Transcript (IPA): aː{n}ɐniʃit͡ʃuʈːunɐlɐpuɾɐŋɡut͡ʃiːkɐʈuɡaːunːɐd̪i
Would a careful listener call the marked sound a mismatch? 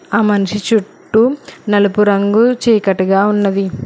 yes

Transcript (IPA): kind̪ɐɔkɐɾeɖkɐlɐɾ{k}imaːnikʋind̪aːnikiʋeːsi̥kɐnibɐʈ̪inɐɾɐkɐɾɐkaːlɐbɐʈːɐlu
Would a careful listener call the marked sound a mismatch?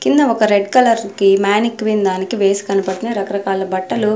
no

